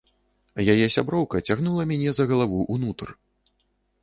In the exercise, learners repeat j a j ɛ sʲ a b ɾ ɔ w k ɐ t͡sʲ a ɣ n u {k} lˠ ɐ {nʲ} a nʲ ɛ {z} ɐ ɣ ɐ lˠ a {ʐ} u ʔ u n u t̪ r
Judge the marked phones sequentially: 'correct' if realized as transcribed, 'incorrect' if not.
incorrect: none, incorrect: mʲ, correct, incorrect: v

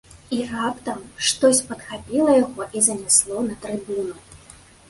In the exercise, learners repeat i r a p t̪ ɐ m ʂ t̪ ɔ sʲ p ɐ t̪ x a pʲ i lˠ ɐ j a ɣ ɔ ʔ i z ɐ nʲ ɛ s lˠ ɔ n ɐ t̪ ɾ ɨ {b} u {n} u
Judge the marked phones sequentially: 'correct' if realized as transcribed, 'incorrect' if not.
correct, correct

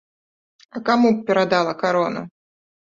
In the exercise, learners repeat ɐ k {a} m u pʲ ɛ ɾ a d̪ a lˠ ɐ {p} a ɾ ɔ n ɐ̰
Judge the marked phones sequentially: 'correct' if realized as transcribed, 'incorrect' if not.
correct, incorrect: k

